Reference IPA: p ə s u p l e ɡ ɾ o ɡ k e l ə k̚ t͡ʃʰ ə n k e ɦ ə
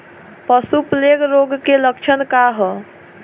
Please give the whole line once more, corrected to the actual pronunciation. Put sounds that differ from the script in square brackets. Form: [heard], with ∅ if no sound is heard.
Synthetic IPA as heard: p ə s u p l e ɡ ɾ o ɡ k e l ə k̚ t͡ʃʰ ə n k [a] ɦ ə